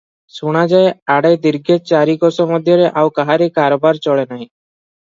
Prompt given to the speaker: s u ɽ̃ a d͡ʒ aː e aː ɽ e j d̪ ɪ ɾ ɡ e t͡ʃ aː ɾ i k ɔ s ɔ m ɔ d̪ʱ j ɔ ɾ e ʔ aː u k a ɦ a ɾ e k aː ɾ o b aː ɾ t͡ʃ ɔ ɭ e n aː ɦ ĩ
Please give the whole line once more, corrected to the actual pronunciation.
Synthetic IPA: s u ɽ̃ a d͡ʒ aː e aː ɽ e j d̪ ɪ ɾ ɡ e t͡ʃ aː ɾ i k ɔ s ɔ m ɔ d̪ʱ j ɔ ɾ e ʔ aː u k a ɦ a ɾ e k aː ɾ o b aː ɾ t͡ʃ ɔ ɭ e n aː ɦ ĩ